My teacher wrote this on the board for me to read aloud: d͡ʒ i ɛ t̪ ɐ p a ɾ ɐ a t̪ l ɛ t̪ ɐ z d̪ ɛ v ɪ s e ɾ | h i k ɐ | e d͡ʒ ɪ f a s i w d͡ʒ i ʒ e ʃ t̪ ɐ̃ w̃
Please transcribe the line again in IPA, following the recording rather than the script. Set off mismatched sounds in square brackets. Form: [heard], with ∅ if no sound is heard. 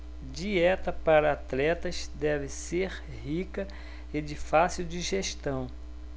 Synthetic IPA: d͡ʒ i ɛ t̪ ɐ p a ɾ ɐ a t̪ l ɛ t̪ ɐ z d̪ ɛ v ɪ s e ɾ | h i k ɐ | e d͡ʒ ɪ f a s i w d͡ʒ i ʒ e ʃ t̪ ɐ̃ w̃

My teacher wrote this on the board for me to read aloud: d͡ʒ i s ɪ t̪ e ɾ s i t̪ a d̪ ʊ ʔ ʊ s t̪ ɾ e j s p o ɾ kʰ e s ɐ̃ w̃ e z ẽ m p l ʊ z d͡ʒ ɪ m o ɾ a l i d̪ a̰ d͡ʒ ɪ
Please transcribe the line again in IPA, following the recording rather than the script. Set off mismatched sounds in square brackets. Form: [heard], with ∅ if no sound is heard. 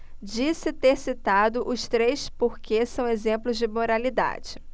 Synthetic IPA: d͡ʒ i s ɪ t̪ e ɾ s i t̪ a d̪ ʊ ʔ ʊ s t̪ ɾ e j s p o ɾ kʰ e s ɐ̃ w̃ e z ẽ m p l ʊ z d͡ʒ ɪ m o ɾ a l i d̪ a̰ d͡ʒ ɪ

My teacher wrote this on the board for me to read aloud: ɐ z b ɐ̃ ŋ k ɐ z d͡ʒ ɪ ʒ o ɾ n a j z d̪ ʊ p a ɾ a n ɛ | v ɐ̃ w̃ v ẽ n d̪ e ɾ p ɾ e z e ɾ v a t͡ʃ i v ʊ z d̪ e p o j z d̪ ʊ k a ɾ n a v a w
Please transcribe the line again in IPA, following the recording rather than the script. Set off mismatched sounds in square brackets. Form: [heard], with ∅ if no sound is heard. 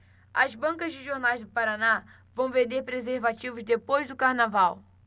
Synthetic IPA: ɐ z b ɐ̃ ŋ k ɐ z d͡ʒ ɪ ʒ o ɾ n a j z d̪ ʊ p a ɾ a n [a] | v ɐ̃ w̃ v ẽ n d̪ e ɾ p ɾ e z e ɾ v a t͡ʃ i v ʊ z d̪ e p o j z d̪ ʊ k a ɾ n a v a w

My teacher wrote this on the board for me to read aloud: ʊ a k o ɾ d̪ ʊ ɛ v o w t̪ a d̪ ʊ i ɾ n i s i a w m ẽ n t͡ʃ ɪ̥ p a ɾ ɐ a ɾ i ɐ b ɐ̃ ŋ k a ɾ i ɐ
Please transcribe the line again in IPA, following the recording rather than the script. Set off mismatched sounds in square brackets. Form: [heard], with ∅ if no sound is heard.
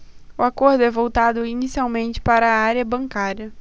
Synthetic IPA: ʊ a k o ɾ d̪ ʊ ɛ v o w t̪ a d̪ ʊ i [∅] n i s i a w m ẽ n t͡ʃ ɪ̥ p a ɾ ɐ a ɾ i ɐ b ɐ̃ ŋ k a ɾ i ɐ

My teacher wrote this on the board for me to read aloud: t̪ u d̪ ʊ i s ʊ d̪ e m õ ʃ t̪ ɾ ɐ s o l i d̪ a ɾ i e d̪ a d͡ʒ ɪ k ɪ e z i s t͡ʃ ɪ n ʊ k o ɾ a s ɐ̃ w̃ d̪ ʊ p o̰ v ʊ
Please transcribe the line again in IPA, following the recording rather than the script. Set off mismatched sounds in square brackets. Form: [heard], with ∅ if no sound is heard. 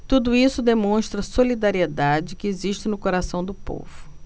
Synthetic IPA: t̪ u d̪ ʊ i s ʊ d̪ e m õ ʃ t̪ ɾ ɐ s o l i d̪ a ɾ i e d̪ a d͡ʒ ɪ k ɪ e z i [ʃ] t͡ʃ ɪ n ʊ k o ɾ a s ɐ̃ w̃ d̪ ʊ p o̰ v ʊ

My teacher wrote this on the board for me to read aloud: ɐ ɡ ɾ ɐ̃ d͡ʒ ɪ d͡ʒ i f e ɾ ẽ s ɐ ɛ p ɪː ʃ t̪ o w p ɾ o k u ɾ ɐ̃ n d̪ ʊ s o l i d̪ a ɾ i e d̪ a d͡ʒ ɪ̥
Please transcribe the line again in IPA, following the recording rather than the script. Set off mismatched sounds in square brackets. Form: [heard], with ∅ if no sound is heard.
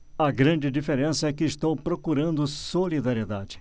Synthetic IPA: ɐ ɡ ɾ ɐ̃ d͡ʒ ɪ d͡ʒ i f e ɾ ẽ s ɐ ɛ [k] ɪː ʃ t̪ o w p ɾ o k u ɾ ɐ̃ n d̪ ʊ s o l i d̪ a ɾ i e d̪ a d͡ʒ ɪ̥

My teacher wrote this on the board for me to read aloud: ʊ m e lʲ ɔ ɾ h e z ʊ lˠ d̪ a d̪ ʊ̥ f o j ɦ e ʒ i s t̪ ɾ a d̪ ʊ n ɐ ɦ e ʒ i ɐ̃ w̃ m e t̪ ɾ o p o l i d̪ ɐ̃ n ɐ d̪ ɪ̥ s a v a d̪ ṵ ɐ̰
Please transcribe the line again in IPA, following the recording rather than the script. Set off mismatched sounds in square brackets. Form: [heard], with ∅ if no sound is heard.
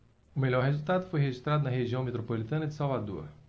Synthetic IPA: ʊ m e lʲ ɔ ɾ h e z [u] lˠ [t̪] a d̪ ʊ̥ f o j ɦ e ʒ i s t̪ ɾ a d̪ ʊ n ɐ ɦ e ʒ i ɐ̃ w̃ m e t̪ ɾ o p o l i [t̪] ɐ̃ n ɐ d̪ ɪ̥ s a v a d̪ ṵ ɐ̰

